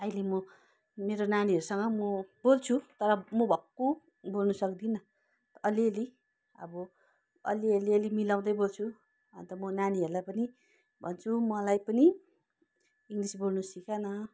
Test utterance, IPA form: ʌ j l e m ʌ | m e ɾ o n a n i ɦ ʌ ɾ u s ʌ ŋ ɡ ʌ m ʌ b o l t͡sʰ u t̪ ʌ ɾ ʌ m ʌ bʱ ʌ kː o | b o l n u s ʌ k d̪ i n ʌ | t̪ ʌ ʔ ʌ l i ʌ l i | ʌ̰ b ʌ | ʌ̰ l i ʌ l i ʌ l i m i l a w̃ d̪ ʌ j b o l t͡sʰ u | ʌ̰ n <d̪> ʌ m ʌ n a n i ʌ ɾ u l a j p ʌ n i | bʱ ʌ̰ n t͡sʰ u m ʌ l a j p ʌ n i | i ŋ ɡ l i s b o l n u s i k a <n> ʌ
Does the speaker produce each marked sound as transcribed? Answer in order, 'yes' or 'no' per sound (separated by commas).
no, yes